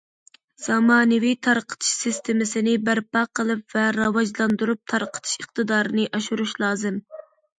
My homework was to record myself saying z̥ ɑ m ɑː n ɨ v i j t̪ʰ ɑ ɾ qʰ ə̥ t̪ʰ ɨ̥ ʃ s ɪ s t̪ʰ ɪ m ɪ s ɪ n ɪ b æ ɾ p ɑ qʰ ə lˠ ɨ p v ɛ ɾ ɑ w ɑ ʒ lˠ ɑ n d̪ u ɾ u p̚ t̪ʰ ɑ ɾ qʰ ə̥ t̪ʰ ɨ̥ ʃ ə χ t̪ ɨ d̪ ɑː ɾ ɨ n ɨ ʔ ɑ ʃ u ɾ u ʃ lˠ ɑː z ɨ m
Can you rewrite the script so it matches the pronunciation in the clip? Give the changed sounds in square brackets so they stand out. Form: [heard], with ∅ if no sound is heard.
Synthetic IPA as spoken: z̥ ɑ m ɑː n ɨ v i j t̪ʰ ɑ ɾ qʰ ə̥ t̪ʰ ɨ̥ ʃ s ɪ s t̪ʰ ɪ m ɪ s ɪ n ɪ b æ ɾ p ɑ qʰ ə lˠ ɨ p v ɛ ɾ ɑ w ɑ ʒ lˠ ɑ n d̪ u ɾ u p̚ t̪ʰ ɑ ɾ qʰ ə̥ t̪ʰ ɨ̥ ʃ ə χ t̪ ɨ d̪ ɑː ɾ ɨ n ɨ ʔ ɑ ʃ u ɾ u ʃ lˠ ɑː z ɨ m